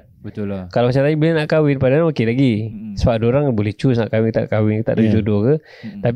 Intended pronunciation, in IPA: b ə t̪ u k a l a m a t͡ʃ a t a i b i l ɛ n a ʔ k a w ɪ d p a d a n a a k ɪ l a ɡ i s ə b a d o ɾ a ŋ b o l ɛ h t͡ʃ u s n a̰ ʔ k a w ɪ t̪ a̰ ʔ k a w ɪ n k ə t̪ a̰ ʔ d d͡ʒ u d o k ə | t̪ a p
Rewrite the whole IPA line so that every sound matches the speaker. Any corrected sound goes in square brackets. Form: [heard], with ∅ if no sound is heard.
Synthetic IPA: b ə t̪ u k a l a m a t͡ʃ a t a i b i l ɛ n a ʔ k a w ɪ [n] p a d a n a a k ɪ l a ɡ i s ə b a d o ɾ a ŋ b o l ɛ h t͡ʃ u s n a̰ ʔ k a w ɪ t̪ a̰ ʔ k a w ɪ n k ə t̪ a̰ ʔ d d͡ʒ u d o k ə | t̪ a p